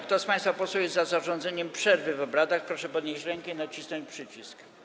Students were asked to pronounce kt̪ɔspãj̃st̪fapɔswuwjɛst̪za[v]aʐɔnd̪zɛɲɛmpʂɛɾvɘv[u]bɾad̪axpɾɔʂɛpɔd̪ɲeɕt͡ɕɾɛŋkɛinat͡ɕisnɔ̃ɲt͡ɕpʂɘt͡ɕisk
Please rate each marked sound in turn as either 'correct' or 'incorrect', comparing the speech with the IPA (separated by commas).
incorrect, incorrect